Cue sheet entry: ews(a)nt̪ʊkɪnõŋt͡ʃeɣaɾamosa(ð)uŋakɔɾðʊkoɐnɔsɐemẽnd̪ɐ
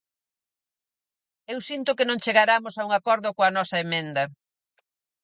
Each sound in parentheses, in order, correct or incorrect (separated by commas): incorrect, incorrect